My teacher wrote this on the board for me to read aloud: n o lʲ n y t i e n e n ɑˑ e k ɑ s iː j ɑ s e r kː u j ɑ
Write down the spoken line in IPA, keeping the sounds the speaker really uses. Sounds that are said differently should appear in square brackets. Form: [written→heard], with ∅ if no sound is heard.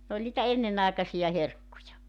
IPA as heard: n o lʲ n [y→i] t [i→æ] e [n→nː] e n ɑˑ e k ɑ s [iː→i] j ɑ [s→h] e r kː u j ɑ